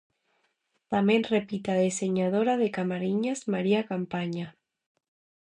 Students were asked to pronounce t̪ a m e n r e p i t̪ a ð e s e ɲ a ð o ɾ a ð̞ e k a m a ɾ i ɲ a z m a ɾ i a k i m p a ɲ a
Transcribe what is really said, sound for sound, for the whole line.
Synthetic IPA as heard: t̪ a m e n r e p i t̪ a ð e s e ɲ a ð o ɾ a ð̞ e k a m a ɾ i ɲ a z m a ɾ i a k a m p a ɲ a